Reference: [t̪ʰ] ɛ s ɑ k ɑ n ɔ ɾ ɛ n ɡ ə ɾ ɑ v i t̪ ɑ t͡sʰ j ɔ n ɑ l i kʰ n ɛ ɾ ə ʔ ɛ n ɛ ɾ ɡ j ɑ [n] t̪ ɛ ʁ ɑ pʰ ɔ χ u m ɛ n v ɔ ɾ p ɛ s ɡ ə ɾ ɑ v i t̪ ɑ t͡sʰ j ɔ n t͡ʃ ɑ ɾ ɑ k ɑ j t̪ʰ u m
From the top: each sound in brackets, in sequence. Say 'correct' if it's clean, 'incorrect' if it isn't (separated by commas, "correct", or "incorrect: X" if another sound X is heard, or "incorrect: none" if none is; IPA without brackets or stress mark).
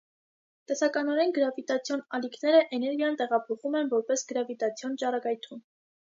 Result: incorrect: t̪, correct